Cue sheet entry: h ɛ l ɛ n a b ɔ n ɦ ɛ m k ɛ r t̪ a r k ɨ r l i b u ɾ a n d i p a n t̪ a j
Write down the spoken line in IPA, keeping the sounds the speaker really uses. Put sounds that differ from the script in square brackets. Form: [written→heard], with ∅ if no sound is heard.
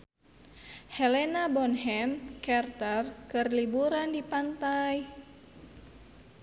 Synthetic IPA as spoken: h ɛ l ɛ n a b ɔ n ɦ ɛ m k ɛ r t̪ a r k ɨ r l i b u ɾ a n d i p a n t̪ a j